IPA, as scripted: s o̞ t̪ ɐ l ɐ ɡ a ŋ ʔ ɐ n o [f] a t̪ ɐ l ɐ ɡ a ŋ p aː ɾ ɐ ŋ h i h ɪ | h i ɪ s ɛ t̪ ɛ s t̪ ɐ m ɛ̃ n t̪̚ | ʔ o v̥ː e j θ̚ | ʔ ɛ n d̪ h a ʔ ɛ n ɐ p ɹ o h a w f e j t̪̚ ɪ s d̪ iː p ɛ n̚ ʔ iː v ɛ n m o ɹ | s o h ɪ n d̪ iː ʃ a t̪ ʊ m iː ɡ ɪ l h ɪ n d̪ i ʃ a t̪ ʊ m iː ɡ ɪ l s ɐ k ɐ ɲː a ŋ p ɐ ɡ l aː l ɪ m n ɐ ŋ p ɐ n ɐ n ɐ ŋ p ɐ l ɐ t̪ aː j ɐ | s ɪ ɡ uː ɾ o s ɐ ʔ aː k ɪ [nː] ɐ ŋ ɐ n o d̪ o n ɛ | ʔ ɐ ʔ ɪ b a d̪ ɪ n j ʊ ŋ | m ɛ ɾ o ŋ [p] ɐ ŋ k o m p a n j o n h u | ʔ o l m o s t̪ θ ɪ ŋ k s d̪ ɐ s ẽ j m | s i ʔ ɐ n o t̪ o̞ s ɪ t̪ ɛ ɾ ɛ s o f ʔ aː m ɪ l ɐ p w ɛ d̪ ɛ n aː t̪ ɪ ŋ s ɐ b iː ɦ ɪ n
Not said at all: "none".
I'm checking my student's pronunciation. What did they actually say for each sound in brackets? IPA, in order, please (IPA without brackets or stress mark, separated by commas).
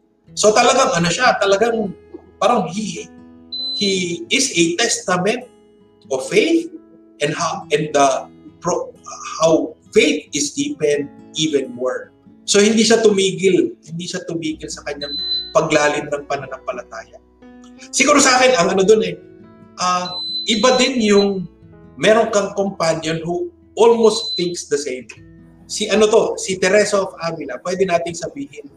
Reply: ʃ, n, k